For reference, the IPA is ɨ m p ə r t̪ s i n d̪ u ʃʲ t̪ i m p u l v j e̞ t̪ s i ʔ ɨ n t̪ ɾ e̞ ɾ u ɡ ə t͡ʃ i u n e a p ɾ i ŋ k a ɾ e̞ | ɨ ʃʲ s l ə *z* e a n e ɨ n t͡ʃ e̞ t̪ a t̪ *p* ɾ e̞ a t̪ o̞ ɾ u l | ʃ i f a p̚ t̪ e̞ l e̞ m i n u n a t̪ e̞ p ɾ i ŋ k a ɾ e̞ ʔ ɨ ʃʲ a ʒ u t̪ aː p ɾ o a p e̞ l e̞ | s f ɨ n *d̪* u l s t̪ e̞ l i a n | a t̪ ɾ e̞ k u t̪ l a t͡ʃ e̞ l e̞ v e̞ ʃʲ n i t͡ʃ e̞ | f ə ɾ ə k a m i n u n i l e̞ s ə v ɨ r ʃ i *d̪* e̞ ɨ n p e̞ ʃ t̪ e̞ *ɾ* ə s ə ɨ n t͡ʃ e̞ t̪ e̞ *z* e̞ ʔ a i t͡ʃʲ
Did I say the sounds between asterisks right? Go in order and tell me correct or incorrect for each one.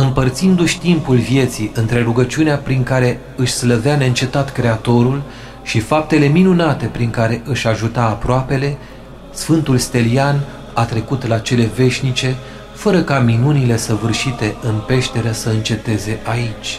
incorrect: v, incorrect: k, incorrect: t̪, incorrect: t̪, correct, correct

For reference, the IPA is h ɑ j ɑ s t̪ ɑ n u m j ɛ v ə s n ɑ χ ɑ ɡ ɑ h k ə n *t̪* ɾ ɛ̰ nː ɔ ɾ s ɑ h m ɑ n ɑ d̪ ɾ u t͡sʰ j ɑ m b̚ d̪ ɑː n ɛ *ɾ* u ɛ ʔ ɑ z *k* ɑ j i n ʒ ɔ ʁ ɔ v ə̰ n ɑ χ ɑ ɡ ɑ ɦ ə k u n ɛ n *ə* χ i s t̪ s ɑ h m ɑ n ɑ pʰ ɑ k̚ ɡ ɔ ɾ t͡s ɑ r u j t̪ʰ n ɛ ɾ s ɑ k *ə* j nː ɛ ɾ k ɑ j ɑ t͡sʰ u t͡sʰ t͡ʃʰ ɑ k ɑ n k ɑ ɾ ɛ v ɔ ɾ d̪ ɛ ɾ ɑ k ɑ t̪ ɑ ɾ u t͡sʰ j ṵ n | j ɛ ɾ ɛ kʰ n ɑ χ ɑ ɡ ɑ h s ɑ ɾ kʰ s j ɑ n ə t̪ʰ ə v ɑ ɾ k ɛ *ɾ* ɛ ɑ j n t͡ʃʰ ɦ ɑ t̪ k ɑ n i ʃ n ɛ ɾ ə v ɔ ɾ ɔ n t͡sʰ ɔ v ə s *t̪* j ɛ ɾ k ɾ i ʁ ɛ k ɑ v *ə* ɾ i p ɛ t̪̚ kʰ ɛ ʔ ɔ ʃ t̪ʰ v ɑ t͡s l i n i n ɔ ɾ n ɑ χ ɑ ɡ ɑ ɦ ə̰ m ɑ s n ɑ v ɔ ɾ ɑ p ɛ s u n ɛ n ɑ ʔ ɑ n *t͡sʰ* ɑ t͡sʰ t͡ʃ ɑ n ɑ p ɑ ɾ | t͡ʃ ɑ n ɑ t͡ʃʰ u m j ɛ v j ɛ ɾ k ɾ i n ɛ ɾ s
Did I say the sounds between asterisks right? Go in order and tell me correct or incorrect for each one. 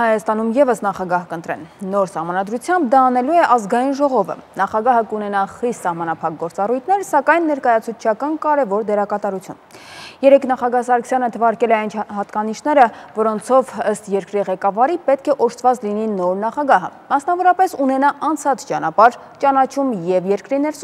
correct, incorrect: l, incorrect: ɡ, incorrect: ɑ, incorrect: ɑ, incorrect: l, correct, incorrect: ɑ, correct

